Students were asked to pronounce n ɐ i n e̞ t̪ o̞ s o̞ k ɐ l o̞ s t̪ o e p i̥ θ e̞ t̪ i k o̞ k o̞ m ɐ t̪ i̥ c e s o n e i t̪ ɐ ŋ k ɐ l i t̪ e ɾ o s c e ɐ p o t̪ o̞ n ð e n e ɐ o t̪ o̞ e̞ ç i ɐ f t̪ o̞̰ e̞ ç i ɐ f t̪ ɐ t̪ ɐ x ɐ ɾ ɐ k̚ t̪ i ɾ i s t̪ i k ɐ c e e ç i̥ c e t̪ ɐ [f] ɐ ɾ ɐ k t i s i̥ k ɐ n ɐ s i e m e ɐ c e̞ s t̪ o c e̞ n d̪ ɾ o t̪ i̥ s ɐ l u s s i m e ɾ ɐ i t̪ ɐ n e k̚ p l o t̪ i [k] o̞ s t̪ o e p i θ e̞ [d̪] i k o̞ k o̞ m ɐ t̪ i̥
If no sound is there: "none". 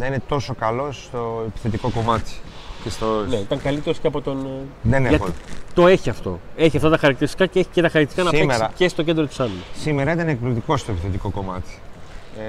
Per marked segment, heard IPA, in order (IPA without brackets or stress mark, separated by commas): x, k, t̪